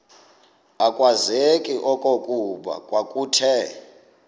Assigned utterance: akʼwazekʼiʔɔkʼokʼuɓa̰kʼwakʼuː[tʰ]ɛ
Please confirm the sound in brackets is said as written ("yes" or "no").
yes